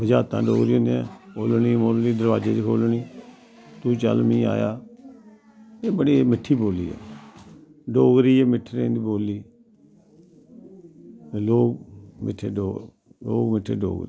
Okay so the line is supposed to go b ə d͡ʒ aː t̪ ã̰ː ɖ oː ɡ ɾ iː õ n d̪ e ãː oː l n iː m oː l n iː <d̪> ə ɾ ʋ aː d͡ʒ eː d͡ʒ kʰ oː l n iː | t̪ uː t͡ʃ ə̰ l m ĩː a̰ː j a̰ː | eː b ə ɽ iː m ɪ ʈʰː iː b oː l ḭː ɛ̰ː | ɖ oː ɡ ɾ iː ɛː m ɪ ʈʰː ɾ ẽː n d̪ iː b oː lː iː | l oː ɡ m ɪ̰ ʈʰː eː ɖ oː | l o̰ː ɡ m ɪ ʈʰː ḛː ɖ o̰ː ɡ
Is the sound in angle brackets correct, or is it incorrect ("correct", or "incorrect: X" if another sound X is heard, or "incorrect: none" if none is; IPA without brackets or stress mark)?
correct